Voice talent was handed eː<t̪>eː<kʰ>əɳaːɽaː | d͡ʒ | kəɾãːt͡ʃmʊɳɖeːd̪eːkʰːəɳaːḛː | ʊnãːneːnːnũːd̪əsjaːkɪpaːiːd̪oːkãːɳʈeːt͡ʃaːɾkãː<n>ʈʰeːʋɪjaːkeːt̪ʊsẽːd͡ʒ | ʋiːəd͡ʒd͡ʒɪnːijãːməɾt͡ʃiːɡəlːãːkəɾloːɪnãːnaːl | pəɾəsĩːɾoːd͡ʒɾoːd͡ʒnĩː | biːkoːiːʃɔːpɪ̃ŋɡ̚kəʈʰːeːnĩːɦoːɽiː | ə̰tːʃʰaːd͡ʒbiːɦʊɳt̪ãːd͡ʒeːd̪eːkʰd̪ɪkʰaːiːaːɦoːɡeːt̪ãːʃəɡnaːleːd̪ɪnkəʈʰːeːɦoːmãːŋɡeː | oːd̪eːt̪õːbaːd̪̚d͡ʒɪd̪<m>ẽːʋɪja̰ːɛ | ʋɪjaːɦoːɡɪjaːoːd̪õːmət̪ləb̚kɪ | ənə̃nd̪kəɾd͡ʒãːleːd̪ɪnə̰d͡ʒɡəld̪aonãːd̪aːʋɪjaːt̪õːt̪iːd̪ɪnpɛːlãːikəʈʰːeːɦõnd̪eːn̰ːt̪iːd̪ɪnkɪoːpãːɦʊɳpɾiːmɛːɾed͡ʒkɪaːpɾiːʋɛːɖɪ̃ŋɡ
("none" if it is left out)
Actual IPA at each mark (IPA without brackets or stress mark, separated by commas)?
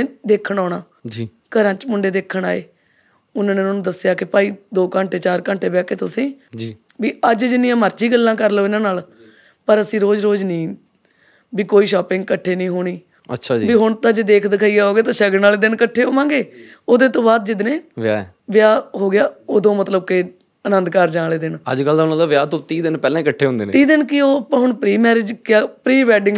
d̪, kʰ, ɳ, n